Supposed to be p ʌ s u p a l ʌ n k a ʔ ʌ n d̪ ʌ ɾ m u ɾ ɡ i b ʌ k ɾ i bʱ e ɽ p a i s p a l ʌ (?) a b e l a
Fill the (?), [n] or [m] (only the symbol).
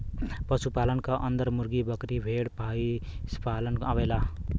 n